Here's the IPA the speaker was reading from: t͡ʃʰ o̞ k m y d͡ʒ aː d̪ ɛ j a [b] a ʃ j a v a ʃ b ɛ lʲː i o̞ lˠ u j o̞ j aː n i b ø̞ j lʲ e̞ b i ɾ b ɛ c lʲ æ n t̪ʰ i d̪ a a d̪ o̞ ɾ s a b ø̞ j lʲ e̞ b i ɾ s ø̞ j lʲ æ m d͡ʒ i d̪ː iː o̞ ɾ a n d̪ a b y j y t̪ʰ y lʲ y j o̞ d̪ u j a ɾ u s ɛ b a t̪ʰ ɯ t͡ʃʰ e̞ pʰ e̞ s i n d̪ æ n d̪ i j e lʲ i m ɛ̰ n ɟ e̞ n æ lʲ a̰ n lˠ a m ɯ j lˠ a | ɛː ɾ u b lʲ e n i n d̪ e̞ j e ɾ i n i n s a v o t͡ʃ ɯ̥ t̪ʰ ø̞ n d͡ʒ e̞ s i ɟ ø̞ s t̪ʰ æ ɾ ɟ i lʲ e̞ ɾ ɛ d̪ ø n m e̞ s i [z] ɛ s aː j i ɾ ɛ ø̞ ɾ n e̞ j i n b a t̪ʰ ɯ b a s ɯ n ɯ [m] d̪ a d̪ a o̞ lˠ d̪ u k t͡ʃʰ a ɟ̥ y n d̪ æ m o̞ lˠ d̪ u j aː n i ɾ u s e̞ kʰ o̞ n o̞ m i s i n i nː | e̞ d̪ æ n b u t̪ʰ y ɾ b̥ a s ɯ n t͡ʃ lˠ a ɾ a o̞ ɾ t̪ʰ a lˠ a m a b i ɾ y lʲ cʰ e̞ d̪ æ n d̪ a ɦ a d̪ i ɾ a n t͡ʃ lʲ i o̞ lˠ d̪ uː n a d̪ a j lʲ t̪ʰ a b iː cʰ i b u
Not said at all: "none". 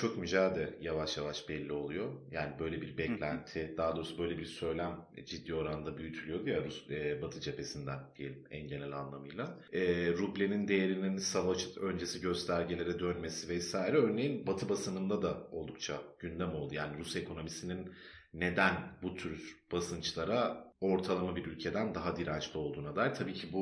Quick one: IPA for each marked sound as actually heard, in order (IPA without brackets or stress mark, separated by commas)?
v, v, n